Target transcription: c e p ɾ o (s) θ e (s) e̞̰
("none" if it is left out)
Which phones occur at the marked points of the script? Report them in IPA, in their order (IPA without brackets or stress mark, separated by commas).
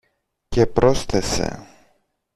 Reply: s, s